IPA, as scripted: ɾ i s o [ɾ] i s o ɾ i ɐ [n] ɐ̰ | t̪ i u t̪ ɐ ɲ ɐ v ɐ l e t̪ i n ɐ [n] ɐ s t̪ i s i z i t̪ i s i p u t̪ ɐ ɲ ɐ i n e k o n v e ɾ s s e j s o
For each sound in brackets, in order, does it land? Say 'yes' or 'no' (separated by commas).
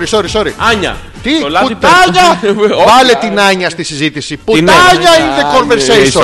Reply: yes, no, no